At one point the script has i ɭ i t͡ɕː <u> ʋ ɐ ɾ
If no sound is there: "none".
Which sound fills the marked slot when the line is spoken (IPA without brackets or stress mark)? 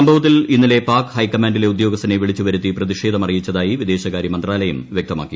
u